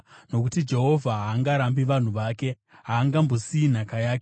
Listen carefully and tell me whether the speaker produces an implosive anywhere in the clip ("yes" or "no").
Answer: no